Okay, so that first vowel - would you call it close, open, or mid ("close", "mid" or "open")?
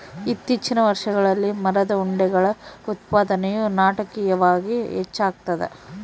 close